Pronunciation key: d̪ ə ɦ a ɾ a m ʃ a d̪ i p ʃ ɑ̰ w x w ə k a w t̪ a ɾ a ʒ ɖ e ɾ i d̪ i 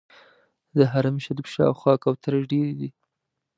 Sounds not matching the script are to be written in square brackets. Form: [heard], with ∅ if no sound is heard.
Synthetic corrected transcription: d̪ ə ɦ a ɾ a m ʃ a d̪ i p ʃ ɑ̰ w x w [ɑ] k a w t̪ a ɾ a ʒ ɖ e ɾ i d̪ i